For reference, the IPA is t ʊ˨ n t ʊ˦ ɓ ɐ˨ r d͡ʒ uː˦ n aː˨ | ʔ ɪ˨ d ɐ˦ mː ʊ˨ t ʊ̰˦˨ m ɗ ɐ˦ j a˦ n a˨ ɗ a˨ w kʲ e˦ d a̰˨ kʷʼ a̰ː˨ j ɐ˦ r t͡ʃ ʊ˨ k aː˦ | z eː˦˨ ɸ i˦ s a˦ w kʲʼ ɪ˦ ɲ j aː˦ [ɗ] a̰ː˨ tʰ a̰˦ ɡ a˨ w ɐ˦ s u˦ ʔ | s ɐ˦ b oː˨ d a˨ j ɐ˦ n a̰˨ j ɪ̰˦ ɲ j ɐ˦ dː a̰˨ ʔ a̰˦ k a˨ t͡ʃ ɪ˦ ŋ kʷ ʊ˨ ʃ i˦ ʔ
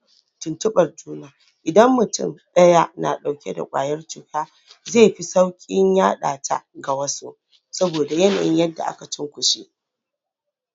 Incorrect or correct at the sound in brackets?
correct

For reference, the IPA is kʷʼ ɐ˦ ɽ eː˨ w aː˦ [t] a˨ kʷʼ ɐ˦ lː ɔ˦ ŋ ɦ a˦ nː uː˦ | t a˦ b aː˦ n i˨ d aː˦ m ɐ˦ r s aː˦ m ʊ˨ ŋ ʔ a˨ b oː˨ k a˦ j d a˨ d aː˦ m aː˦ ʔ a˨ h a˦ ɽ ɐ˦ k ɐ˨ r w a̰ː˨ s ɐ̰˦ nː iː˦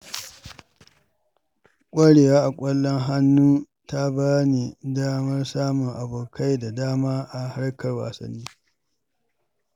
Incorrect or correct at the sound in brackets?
incorrect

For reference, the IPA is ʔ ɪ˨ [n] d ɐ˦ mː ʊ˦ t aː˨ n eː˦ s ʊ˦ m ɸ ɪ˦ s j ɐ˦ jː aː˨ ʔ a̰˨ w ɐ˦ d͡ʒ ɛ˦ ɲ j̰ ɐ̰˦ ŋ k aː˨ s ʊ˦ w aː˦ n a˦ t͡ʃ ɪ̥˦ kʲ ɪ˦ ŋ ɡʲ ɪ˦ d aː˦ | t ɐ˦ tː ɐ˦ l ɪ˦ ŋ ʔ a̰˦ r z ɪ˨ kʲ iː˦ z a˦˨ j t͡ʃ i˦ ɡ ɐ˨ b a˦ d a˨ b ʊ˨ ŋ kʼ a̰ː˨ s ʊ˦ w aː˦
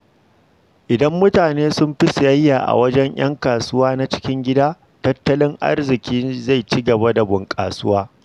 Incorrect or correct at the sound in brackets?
incorrect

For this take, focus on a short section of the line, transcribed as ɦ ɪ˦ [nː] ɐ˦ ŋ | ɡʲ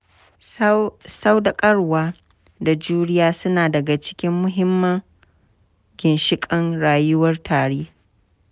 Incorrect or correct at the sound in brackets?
incorrect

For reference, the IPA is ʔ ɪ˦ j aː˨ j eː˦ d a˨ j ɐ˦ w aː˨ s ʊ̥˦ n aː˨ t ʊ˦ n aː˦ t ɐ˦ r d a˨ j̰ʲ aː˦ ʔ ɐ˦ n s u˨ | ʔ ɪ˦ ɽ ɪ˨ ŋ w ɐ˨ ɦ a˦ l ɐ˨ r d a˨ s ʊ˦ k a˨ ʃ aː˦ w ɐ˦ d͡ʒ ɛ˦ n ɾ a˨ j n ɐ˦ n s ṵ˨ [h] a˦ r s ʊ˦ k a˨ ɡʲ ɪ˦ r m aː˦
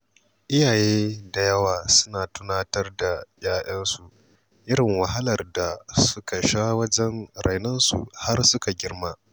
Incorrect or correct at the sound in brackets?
correct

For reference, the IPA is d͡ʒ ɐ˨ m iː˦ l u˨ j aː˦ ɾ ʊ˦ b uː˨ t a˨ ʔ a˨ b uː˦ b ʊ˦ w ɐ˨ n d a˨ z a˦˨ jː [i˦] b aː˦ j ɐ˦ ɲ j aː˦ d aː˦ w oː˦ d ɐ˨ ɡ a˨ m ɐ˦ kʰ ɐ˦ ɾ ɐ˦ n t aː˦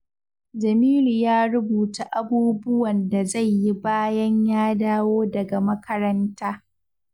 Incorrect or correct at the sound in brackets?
correct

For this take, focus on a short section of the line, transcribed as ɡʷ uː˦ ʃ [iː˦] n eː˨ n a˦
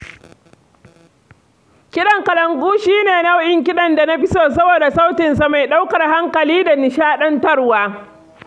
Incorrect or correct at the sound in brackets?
correct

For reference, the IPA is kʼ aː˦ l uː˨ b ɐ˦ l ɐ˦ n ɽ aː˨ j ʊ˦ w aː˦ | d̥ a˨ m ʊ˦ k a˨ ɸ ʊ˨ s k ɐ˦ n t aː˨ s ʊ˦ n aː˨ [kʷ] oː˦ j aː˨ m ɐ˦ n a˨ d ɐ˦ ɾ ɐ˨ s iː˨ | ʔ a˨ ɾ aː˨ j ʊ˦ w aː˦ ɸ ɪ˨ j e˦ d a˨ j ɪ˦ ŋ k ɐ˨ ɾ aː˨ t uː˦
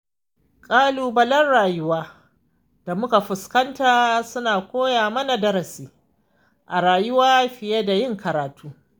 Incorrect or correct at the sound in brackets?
correct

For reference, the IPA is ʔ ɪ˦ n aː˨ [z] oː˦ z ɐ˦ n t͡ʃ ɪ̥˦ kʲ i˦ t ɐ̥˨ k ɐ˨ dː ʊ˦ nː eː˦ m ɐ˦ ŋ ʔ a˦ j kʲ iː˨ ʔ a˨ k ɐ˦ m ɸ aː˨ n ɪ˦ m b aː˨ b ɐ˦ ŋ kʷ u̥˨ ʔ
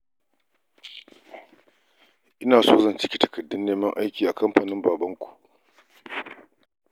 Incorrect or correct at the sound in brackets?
incorrect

